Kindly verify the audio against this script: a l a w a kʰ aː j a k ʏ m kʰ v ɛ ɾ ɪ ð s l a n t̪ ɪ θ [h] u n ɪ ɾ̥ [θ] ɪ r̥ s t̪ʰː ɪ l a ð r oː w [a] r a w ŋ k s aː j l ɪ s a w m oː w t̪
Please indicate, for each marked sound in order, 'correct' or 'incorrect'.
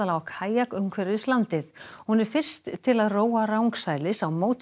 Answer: correct, incorrect, correct

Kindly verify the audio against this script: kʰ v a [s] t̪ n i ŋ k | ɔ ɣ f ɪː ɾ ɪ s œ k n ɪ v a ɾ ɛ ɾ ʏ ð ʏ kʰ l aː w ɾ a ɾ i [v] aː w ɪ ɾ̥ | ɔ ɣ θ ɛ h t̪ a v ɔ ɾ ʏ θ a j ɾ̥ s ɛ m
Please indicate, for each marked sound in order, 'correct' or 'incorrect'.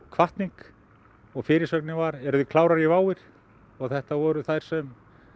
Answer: incorrect, correct

